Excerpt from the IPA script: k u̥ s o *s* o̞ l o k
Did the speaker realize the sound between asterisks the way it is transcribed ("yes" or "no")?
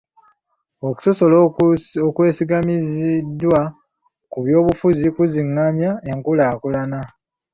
yes